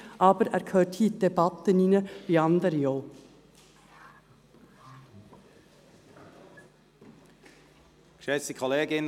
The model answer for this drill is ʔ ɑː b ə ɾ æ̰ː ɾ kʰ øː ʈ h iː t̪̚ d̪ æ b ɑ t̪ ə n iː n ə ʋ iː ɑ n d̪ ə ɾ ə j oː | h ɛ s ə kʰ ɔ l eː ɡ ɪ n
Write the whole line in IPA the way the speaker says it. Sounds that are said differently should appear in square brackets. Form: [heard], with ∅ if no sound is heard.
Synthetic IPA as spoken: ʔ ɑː b ə ɾ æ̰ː ɾ kʰ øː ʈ h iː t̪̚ d̪ [ɛ] b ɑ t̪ ə n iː n ə ʋ iː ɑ n d̪ ə ɾ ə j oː | [ʃ] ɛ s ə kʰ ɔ l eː ɡ ɪ n